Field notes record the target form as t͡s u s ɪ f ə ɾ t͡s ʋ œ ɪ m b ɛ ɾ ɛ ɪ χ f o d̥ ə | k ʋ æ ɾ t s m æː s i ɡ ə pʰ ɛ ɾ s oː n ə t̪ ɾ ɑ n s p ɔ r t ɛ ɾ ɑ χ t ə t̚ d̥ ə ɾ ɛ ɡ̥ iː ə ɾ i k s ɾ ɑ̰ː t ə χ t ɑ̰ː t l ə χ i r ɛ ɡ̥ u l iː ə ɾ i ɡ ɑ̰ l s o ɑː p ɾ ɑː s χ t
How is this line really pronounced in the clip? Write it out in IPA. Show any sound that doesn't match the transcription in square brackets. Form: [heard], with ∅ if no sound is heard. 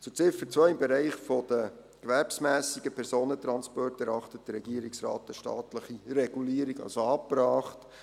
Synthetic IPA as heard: t͡s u [t͡s] ɪ f ə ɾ t͡s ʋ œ ɪ m b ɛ ɾ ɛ ɪ χ f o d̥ ə | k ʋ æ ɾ [p] s m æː s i ɡ ə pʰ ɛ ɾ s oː n ə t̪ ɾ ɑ n s p ɔ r t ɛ ɾ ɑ χ t ə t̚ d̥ ə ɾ ɛ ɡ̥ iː ə ɾ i k s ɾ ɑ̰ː t ə [ʃ] t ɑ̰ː t l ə χ i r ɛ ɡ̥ u l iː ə ɾ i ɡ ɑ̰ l s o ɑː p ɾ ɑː [∅] χ t